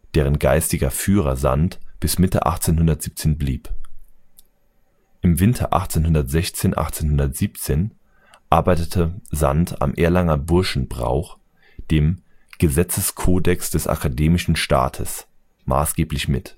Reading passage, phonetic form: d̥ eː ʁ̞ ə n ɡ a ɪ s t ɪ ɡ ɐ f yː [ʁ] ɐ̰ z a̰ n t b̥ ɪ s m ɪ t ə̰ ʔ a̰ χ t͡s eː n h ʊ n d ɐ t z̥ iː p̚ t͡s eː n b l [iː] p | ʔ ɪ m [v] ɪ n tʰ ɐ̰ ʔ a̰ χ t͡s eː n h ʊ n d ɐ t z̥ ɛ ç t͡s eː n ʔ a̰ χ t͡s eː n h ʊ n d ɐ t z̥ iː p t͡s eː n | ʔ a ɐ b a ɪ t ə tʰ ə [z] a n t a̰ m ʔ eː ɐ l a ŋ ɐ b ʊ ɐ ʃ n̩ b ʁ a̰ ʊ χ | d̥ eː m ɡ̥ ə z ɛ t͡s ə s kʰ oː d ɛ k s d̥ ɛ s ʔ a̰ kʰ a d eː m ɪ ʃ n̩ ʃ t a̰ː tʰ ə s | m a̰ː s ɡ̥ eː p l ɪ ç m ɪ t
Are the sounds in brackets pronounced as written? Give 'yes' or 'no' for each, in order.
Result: yes, yes, yes, yes

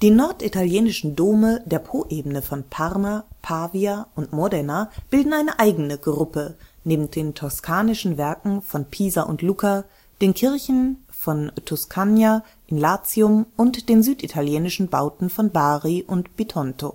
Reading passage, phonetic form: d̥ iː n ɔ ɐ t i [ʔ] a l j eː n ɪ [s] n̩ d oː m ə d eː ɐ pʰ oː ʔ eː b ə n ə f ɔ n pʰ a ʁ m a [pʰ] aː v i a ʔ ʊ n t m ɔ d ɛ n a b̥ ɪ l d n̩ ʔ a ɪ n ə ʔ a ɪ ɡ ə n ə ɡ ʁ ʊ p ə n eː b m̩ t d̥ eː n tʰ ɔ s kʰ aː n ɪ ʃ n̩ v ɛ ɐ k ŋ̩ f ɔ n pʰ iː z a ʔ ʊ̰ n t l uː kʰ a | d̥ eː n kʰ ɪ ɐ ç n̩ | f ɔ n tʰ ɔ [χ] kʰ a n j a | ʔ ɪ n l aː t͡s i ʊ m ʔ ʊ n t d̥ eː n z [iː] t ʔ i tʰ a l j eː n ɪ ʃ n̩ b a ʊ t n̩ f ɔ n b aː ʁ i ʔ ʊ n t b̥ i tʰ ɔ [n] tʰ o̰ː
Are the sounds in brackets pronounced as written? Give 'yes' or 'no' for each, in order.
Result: no, no, yes, no, no, yes

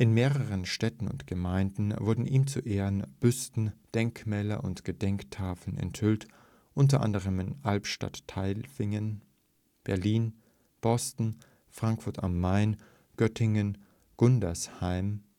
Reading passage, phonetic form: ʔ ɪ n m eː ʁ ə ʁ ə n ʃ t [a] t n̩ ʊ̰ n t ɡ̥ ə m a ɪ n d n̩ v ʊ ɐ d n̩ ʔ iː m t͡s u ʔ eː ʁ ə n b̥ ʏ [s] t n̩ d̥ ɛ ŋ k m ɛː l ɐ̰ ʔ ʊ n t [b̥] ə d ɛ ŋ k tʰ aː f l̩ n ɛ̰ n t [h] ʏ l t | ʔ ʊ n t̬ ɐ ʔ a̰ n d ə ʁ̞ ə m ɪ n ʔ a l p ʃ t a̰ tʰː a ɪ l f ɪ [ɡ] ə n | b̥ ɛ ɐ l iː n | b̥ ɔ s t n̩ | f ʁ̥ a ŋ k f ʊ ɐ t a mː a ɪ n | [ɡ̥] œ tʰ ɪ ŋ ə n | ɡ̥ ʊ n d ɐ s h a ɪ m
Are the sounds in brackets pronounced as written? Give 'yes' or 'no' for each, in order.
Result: no, yes, no, yes, no, yes

